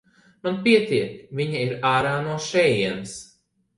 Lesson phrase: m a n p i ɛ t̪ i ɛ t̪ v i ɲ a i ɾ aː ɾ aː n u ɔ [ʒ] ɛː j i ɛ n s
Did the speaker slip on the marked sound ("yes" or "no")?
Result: yes